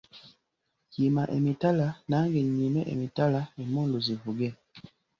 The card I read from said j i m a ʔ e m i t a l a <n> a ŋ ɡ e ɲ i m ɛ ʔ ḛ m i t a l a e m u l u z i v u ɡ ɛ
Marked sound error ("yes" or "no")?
no